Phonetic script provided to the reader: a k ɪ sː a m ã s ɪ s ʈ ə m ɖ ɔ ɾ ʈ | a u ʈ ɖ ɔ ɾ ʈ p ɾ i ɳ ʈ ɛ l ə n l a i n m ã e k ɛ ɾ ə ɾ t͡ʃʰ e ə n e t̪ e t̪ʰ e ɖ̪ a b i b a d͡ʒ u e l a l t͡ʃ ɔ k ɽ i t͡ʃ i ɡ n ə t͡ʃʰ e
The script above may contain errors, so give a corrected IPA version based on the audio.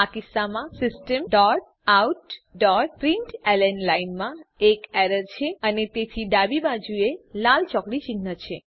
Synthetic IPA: a k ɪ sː a m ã s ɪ s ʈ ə m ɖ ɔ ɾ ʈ | a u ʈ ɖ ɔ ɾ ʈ p ɾ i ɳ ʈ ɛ l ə n l a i n m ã e k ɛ ɾ ə ɾ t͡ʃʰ e ə n e t̪ e t̪ʰ i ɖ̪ a b i b a d͡ʒ u e l a l t͡ʃ ɔ k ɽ i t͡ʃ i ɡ n ə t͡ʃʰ e